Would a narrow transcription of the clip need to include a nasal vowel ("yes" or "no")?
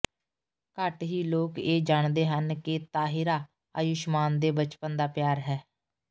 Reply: no